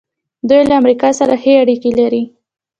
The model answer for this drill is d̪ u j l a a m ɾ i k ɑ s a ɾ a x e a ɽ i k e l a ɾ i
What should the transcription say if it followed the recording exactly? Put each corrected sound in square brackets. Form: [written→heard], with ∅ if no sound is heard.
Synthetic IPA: d̪ u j l a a m ɾ i k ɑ s a ɾ a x e a ɽ i k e l a ɾ i

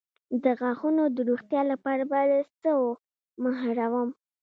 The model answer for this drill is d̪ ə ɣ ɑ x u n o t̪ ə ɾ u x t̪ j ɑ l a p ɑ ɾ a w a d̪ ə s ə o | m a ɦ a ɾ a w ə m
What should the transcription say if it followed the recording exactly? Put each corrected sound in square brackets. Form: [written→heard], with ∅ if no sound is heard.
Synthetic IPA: d̪ ə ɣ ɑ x u n o [t̪→d̪] ə ɾ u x t̪ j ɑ l a p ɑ ɾ a [w→b] a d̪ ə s ə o | m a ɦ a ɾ a w ə m

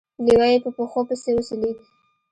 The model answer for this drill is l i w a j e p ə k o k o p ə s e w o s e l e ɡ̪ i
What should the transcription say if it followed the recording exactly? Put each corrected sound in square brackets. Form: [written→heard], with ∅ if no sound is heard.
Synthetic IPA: l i w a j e p ə [k→p] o [k→x] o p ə s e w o s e l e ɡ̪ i

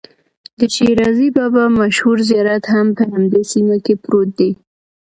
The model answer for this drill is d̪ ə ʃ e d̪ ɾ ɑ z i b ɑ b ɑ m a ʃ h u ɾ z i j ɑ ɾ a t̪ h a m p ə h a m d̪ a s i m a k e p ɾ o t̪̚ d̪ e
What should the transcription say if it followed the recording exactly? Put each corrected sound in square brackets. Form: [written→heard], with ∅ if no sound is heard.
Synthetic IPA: d̪ ə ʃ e [d̪→∅] ɾ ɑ z i b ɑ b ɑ m a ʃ h u ɾ z i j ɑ ɾ a t̪ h a m p ə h a m d̪ [a→e] s i m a k e p ɾ o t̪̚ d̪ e

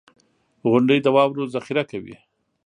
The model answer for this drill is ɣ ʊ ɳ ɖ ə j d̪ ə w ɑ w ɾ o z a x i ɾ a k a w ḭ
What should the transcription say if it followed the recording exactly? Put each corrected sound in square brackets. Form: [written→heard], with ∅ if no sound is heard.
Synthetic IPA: ɣ ʊ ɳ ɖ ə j d̪ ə w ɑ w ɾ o z a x i ɾ a k a w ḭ

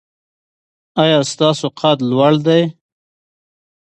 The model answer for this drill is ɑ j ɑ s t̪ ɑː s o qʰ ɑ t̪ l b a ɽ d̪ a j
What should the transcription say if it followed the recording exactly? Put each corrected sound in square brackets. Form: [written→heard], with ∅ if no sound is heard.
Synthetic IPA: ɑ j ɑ s t̪ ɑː s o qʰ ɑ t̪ l [b→w] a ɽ d̪ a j

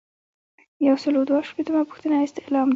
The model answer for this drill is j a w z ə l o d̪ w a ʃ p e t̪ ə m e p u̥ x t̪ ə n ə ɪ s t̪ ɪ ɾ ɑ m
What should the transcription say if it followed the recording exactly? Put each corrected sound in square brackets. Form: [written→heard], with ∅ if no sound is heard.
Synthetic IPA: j a w [z→s] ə l o d̪ w a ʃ p e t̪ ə m [e→a] p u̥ x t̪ ə n [ə→a] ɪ s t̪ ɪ [ɾ→l] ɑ m

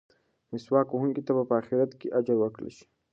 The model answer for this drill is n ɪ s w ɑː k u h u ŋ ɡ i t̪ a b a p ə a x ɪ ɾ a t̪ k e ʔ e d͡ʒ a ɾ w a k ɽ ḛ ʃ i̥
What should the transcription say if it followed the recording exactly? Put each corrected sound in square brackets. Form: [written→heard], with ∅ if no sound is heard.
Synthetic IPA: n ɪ s w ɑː k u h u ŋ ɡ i t̪ a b a p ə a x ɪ ɾ a t̪ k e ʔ [e→a] d͡ʒ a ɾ w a k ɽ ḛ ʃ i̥

